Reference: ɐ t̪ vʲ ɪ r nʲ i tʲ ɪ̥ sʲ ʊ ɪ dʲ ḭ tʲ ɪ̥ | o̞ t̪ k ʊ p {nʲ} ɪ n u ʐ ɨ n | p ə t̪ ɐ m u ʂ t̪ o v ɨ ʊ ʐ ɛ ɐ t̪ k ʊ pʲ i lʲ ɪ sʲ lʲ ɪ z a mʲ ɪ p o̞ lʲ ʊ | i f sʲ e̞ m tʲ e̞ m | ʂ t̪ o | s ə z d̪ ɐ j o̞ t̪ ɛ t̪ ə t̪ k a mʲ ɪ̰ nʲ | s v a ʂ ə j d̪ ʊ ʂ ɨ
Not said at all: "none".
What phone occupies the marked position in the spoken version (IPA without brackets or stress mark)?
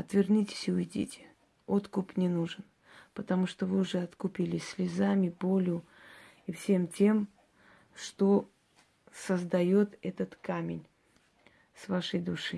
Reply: nʲ